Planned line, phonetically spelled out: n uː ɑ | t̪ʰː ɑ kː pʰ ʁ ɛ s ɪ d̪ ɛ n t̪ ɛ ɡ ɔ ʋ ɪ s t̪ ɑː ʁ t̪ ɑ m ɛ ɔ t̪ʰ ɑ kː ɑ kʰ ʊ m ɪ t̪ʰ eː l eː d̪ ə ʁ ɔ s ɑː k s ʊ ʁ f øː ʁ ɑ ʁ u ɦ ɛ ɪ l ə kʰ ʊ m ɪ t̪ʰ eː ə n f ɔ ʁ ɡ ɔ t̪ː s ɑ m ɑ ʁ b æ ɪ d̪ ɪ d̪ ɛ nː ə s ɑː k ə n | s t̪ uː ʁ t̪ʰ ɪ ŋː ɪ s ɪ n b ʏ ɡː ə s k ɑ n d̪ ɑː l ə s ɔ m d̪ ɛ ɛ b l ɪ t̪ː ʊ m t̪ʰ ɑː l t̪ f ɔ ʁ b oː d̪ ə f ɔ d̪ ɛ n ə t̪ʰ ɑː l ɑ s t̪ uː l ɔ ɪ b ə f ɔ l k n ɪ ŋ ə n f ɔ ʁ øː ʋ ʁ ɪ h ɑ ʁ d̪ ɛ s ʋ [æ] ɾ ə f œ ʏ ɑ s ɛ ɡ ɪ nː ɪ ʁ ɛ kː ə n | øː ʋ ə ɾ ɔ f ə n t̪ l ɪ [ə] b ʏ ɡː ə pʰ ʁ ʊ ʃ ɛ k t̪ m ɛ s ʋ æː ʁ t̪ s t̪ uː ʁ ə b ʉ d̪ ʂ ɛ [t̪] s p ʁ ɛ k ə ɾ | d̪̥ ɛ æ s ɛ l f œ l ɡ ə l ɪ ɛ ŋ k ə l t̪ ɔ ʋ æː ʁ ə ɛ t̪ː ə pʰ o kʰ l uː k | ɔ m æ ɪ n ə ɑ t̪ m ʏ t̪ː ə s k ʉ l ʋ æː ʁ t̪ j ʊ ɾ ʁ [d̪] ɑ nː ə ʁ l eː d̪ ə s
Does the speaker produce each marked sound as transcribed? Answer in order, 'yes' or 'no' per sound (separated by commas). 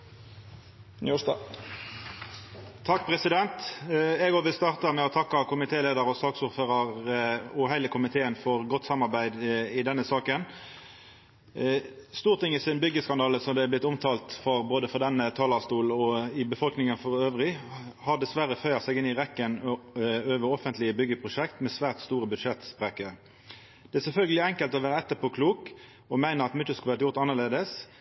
yes, yes, yes, no